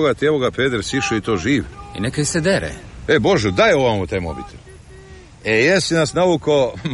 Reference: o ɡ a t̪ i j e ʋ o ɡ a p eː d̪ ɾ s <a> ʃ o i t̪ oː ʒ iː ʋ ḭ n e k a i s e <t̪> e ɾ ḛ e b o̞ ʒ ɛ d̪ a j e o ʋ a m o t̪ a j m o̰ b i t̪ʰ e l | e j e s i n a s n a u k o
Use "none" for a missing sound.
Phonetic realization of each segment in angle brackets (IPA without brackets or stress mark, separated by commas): i, d̪